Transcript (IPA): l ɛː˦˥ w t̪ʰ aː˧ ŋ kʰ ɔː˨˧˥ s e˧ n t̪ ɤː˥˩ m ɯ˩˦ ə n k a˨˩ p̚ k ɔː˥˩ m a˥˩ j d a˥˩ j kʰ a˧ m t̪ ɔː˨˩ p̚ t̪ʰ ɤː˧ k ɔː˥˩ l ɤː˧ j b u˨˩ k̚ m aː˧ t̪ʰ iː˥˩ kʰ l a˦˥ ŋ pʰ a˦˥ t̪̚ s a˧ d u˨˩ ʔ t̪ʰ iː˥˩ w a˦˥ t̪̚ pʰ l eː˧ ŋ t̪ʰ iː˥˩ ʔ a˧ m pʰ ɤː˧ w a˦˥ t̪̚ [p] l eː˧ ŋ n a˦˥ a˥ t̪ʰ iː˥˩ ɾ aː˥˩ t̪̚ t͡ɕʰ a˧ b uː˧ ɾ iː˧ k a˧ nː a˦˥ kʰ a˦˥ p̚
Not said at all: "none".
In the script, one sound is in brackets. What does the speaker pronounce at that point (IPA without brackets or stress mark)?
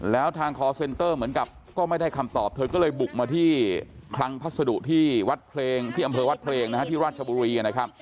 pʰ